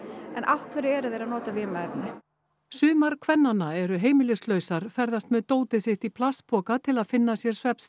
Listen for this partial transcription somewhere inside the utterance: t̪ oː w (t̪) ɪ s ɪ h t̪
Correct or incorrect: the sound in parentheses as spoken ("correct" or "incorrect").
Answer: correct